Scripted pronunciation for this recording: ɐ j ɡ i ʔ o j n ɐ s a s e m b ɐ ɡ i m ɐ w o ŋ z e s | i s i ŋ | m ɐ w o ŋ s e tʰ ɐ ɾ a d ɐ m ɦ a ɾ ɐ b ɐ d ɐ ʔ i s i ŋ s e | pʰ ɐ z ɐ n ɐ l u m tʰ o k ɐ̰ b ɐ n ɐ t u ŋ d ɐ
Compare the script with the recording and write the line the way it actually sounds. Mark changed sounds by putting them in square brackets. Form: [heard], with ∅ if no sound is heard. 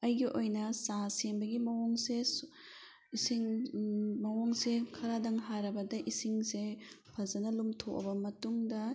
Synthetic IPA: ɐ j ɡ i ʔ o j n ɐ s a s e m b ɐ ɡ i m ɐ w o ŋ [s] e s | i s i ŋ | m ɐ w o ŋ s e [kʰ] ɐ ɾ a d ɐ [ŋ] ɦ a ɾ ɐ b ɐ d ɐ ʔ i s i ŋ s e | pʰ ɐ z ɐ n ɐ l u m tʰ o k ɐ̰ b ɐ [m] ɐ t u ŋ d ɐ

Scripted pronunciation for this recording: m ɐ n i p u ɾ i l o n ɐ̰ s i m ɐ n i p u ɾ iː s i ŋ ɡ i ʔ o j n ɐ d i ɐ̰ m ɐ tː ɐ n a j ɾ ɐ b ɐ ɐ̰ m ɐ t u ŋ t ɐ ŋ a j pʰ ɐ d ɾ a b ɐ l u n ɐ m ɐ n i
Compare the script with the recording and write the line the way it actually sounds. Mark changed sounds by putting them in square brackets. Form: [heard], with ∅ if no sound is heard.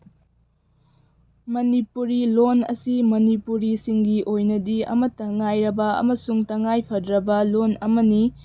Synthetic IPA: m ɐ n i p u ɾ i l o n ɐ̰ s i m ɐ n i p u ɾ [i] s i ŋ ɡ i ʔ o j n ɐ d i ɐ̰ m ɐ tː ɐ [ŋ] a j ɾ ɐ b ɐ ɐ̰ m ɐ [s] u ŋ t ɐ ŋ a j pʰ ɐ d ɾ [ɐ] b ɐ l [o] n ɐ m ɐ n i

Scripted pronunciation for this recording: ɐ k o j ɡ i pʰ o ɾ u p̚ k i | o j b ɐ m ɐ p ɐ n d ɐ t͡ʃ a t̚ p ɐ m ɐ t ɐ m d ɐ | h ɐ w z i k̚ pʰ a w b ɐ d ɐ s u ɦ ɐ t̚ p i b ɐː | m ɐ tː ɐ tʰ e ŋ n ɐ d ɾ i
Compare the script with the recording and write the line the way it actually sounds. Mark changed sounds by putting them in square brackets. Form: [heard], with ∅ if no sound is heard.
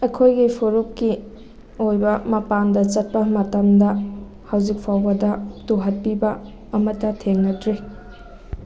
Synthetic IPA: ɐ [kʰ] o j ɡ i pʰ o ɾ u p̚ k i | o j b ɐ m ɐ p [a] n d ɐ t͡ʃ [ɐ] t̚ p ɐ m ɐ t ɐ m d ɐ | h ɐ w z i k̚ pʰ a w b ɐ d ɐ [t] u ɦ ɐ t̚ p i b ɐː | m ɐ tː ɐ tʰ e ŋ n ɐ d ɾ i

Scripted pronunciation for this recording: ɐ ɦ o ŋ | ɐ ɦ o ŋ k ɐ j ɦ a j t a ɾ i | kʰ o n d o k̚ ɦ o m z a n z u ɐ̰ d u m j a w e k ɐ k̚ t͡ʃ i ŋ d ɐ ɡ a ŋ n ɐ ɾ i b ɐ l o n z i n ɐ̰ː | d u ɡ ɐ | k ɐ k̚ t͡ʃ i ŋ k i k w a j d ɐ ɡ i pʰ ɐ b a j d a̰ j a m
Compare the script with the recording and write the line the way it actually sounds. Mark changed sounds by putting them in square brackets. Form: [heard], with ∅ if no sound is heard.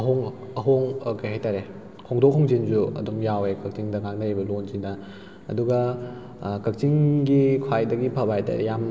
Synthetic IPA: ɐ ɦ o ŋ | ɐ ɦ o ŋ k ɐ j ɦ a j t a ɾ [e] | kʰ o [ŋ] d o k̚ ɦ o [ŋ] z [i] n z u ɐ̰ d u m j a w e k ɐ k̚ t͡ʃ i ŋ d ɐ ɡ a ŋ n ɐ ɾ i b ɐ l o n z i n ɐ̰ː | d u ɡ ɐ | k ɐ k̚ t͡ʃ i ŋ [ɡ] i [kʰ] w a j d ɐ ɡ i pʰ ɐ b a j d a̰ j a m

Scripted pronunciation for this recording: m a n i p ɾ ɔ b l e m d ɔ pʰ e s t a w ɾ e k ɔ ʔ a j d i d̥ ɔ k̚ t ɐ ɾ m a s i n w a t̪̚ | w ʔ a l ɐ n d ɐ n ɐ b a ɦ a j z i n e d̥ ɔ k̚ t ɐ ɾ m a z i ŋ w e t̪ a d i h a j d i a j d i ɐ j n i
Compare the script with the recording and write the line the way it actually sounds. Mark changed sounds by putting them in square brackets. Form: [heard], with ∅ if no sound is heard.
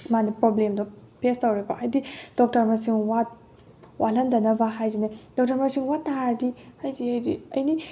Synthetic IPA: m a n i p ɾ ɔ b l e m d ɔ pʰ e s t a w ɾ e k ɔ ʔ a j d i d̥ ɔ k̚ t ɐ ɾ m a s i [ŋ] w a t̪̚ | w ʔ a l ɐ n d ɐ n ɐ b a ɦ a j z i n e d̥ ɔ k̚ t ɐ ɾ m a [s] i ŋ w [a] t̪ a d i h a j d i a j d i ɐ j n i

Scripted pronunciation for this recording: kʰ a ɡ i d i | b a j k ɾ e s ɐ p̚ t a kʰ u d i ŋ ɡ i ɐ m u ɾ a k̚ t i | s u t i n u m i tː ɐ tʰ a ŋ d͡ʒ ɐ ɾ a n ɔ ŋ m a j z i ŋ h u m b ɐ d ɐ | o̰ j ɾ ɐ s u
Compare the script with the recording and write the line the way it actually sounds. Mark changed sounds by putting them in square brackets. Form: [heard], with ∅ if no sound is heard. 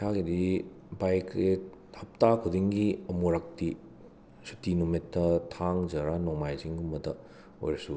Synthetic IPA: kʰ a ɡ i d i | b a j k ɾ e [h] ɐ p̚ t a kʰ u d i ŋ ɡ i ɐ m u ɾ a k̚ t i | s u t i n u m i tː ɐ tʰ a ŋ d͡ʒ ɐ ɾ a n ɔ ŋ m a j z i ŋ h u m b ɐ d ɐ | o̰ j ɾ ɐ s u

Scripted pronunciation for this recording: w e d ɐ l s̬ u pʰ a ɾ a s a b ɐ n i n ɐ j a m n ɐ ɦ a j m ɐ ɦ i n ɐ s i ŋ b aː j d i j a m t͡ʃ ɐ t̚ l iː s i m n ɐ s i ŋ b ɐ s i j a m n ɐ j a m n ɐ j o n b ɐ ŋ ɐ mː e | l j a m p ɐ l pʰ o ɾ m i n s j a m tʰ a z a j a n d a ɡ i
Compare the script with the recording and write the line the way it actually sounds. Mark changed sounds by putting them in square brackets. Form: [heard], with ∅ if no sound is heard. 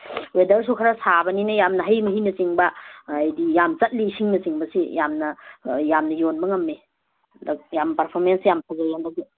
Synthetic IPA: w e d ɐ [ɾ] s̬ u [kʰ] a ɾ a s a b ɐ n i n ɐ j a m n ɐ ɦ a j m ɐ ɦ i n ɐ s i ŋ b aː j d i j a m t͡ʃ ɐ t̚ l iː s i [ŋ] n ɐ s i ŋ b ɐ s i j a m n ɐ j a m n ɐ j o n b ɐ ŋ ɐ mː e | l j a m p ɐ [ɾ] pʰ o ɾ m [e] n s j a m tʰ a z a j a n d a ɡ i

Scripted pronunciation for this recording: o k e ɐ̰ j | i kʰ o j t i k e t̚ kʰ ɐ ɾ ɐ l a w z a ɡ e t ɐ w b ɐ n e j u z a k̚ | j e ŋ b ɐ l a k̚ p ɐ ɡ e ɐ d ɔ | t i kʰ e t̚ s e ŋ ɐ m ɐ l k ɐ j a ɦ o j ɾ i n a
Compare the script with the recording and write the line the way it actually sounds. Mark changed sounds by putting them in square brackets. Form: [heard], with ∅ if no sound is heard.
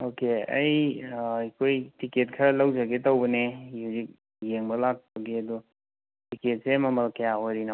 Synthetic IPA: o k e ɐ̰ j | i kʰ o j t i k e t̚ kʰ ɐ ɾ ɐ l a w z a ɡ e t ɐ w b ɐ n e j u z [i] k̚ | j e ŋ b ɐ l a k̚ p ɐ ɡ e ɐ d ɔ | t i [k] e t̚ s e [m] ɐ m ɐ l k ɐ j a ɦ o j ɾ i n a

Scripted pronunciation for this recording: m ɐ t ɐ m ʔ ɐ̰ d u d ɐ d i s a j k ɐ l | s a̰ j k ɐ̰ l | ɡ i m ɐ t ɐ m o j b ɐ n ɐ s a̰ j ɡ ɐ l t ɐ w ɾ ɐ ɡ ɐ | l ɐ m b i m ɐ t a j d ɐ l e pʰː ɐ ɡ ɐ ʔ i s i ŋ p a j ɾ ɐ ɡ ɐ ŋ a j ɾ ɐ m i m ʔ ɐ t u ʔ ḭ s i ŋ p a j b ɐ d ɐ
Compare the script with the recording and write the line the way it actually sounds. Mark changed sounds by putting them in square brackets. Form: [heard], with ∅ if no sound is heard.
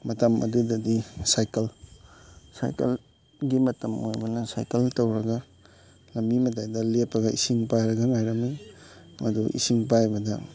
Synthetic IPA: m ɐ t ɐ m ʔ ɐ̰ d u d ɐ d i s a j k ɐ l | s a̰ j k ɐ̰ l | ɡ i m ɐ t ɐ m o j b ɐ n ɐ s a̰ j [k] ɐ l t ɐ w ɾ ɐ ɡ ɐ | l ɐ m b i m ɐ t a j d ɐ l e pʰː ɐ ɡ ɐ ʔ i s i ŋ p a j ɾ ɐ ɡ ɐ ŋ a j ɾ ɐ m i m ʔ ɐ [d] u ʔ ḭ s i ŋ p a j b ɐ d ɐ

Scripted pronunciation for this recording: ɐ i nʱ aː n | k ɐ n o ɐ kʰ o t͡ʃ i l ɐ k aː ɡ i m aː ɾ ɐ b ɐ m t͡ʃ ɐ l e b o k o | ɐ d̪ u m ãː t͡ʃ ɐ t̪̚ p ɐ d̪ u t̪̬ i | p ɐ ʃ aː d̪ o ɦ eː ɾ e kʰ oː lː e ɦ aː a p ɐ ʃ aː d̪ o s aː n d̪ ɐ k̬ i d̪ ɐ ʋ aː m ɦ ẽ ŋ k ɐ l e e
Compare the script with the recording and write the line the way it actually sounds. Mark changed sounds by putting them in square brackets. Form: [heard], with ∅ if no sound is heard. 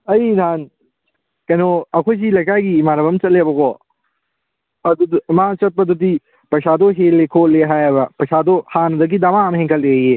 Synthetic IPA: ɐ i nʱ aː n | k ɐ n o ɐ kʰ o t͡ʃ i l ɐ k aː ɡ i m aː ɾ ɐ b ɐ m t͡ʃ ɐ l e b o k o | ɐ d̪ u m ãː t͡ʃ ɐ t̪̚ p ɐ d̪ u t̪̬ i | p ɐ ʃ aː d̪ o ɦ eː [l] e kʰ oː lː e ɦ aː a p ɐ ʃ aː d̪ o [h] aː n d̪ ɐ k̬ i d̪ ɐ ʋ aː m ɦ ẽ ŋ k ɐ l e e

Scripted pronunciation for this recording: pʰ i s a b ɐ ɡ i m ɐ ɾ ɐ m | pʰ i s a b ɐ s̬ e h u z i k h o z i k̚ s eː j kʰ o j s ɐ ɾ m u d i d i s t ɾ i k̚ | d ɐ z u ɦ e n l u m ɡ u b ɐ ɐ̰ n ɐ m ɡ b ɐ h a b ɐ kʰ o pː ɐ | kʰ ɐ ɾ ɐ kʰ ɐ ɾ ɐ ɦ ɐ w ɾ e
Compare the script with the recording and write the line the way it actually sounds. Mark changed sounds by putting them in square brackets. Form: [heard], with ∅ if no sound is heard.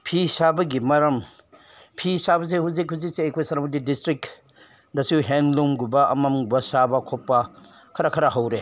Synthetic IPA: pʰ i s a b ɐ ɡ i m ɐ ɾ ɐ m | pʰ i s a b ɐ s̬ e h u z i k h [u] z i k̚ s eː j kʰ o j s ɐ ɾ m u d i d i s t ɾ i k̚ | d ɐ [s] u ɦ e n l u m ɡ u b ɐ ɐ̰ [m] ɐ m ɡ b ɐ [s] a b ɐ kʰ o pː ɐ | kʰ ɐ ɾ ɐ kʰ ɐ ɾ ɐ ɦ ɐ w ɾ e

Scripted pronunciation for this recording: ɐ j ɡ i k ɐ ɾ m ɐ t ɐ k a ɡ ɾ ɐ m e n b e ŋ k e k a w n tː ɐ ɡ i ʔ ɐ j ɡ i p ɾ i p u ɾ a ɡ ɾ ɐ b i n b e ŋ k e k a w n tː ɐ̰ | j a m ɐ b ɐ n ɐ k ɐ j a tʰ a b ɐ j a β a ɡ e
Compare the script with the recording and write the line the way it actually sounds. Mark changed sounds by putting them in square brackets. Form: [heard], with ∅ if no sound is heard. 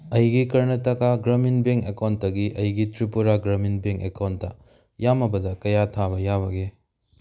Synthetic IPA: ɐ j ɡ i k ɐ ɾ [n] ɐ t ɐ k a ɡ ɾ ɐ m [i] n b e ŋ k e k a w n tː ɐ ɡ i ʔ ɐ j ɡ i [t] ɾ i p u ɾ a ɡ ɾ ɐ [m] i n b e ŋ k e k a w n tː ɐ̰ | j a m ɐ b ɐ [d] ɐ k ɐ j a tʰ a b ɐ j a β [ɐ] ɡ e

